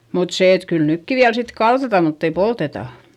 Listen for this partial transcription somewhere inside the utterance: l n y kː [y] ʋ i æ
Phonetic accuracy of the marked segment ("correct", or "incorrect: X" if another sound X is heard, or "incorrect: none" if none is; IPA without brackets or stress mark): incorrect: i